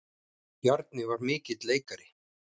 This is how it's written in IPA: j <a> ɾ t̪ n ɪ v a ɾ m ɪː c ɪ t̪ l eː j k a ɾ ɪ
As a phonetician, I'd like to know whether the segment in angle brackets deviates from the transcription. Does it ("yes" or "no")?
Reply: no